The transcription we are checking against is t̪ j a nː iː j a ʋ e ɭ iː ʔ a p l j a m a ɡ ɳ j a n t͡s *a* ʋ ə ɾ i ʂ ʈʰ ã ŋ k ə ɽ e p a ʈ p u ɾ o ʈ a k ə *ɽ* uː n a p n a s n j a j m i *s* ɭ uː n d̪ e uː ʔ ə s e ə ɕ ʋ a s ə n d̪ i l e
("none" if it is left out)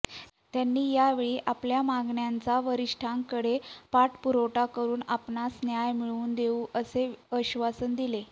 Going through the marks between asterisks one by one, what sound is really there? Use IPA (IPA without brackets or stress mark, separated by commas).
a, ɾ, none